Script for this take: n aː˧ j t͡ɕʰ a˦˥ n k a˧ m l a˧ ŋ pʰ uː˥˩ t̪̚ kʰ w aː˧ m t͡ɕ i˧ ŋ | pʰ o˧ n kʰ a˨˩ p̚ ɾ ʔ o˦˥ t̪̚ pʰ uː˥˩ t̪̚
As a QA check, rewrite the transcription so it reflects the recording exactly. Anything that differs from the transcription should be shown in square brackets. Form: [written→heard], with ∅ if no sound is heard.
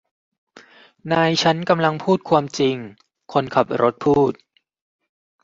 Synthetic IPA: n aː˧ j t͡ɕʰ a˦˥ n k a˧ m l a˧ ŋ pʰ uː˥˩ t̪̚ kʰ w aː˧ m t͡ɕ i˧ ŋ | [pʰ→kʰ] o˧ n kʰ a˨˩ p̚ ɾ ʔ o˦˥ t̪̚ pʰ uː˥˩ t̪̚